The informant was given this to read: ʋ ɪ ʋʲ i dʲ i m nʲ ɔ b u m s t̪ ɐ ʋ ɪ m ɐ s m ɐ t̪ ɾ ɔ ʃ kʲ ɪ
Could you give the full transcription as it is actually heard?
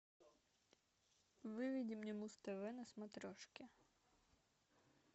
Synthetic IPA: ʋ ɪ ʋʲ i dʲ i m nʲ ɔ m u s t̪ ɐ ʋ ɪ n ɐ s m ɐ t̪ ɾ ɔ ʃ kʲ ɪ